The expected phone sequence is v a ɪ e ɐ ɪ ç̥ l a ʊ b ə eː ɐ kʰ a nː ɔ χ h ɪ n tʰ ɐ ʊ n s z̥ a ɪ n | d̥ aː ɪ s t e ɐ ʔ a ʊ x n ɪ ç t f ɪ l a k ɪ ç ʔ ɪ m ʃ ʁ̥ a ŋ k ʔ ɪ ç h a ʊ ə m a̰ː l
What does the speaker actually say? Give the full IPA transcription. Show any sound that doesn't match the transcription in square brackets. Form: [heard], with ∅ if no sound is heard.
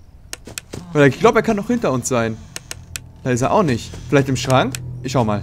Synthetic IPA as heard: v a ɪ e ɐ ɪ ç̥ l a ʊ b ə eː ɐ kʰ a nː ɔ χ h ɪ n [t] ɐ ʊ n s z̥ a ɪ n | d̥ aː ɪ s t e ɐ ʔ a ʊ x n ɪ ç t f ɪ l a [∅] ɪ ç [t] ɪ m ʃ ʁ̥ a ŋ k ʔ ɪ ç [ʃ] a ʊ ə m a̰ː l